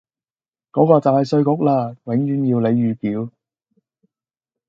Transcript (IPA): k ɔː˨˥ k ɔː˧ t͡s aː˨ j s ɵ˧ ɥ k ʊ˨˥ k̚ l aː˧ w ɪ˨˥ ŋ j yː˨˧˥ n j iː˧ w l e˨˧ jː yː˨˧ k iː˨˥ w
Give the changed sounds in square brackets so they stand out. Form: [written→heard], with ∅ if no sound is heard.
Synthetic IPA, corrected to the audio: k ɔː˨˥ k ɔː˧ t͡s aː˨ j s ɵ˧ ɥ k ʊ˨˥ k̚ l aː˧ w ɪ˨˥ ŋ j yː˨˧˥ n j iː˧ w l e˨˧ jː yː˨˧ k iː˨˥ w